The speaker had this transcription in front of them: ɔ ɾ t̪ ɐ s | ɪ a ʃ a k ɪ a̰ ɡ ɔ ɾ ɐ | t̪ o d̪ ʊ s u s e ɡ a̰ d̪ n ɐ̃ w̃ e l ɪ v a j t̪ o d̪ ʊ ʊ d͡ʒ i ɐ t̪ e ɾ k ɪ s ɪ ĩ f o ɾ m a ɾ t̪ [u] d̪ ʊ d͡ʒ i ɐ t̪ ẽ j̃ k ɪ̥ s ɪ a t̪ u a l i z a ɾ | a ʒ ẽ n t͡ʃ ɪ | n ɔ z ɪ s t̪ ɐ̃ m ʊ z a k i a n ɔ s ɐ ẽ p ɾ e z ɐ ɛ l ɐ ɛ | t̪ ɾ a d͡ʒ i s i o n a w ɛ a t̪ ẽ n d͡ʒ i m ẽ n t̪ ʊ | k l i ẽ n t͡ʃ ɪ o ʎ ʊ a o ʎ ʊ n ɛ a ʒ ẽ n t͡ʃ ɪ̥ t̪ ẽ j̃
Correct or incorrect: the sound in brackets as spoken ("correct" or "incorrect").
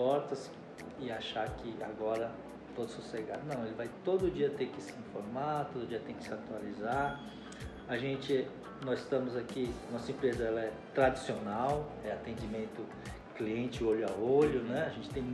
incorrect